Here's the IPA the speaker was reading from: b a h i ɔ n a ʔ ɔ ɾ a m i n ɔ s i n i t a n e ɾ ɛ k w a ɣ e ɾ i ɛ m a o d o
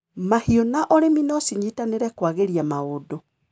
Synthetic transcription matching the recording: m a h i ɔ n a ʔ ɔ ɾ e m i n ɔ s i ɲ i t a n e ɾ ɛ k w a ɣ e ɾ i a m a o d o